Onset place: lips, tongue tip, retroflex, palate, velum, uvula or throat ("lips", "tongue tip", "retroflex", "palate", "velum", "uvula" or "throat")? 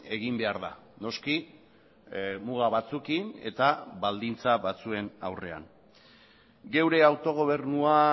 velum